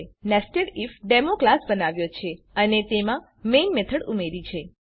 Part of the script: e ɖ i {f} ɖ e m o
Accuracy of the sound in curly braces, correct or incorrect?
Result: correct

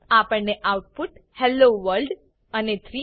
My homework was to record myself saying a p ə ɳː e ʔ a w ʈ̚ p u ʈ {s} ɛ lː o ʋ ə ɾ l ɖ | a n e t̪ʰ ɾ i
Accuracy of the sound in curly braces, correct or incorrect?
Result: incorrect: h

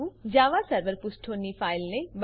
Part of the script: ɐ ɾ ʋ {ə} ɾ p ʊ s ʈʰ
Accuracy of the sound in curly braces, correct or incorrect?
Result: correct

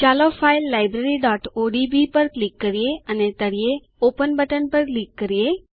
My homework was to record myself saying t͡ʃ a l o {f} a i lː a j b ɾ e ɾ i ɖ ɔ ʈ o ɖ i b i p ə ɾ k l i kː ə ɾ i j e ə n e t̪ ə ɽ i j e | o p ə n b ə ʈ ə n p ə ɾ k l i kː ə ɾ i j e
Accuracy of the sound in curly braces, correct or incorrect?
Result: correct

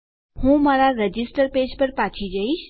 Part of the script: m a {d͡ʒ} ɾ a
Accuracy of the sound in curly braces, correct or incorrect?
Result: incorrect: none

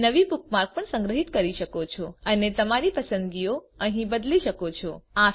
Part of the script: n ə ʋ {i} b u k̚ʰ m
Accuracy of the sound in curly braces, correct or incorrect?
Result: correct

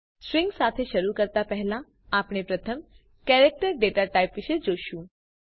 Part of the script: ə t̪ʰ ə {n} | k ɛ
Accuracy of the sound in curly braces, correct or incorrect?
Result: incorrect: m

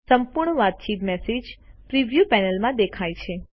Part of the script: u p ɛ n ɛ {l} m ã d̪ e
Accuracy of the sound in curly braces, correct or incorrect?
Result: correct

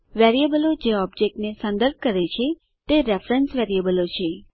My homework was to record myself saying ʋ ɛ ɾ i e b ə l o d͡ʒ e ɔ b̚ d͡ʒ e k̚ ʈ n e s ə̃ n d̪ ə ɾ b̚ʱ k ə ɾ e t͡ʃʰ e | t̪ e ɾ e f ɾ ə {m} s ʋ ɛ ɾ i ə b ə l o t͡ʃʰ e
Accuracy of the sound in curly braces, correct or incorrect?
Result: incorrect: n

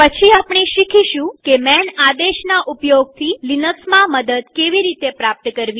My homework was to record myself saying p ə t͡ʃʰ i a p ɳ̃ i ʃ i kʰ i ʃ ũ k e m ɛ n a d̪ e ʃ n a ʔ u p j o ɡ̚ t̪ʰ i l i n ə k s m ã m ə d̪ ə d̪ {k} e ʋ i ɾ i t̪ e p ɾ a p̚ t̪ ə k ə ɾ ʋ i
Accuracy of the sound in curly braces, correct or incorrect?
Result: correct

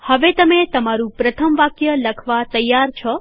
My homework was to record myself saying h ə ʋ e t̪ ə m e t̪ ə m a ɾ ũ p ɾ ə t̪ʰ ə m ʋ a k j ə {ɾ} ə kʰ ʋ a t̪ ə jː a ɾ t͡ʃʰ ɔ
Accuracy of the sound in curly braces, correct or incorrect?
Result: incorrect: l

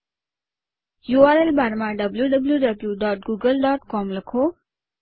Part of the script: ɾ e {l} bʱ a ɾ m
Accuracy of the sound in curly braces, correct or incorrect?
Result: correct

